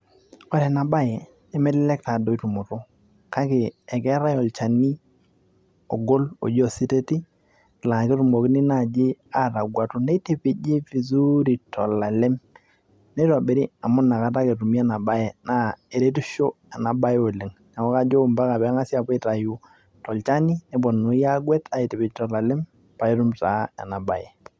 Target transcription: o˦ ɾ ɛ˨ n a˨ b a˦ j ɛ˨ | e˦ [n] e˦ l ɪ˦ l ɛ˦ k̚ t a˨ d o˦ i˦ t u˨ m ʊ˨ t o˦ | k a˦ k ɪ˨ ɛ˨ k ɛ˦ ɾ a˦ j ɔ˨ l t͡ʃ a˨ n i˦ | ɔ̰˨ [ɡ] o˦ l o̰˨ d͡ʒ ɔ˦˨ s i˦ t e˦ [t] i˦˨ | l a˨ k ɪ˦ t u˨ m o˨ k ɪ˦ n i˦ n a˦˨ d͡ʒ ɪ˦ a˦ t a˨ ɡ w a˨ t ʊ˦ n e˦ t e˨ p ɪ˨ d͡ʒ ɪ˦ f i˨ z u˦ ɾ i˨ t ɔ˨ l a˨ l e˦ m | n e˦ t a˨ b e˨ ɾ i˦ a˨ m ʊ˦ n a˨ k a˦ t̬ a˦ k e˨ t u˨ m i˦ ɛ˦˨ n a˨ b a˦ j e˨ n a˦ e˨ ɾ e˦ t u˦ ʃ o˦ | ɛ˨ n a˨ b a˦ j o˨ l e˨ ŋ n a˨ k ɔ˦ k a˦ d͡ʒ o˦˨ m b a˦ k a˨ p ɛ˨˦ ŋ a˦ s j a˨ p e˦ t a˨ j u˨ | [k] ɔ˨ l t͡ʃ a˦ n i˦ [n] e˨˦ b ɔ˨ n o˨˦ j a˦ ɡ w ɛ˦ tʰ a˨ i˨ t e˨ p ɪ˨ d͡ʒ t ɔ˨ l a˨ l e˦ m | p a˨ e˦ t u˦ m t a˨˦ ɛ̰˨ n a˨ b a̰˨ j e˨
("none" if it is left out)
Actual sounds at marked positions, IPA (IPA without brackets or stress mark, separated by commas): m, ɡ, t, t, n